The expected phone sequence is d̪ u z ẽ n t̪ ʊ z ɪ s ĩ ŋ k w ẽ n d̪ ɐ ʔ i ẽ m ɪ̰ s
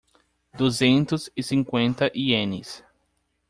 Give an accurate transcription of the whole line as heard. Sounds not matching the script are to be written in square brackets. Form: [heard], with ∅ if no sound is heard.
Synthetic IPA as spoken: d̪ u z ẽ n t̪ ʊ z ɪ s ĩ ŋ k w ẽ n [t̪] ɐ ʔ i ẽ [n] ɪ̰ s